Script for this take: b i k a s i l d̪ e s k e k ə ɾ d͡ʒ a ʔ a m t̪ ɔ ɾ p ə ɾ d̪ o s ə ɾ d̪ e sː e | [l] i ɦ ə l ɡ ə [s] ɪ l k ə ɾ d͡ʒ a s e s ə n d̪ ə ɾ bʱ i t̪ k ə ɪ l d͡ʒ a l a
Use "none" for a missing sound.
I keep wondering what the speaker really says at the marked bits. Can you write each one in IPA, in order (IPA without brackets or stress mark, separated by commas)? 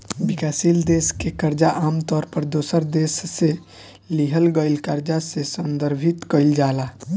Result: l, none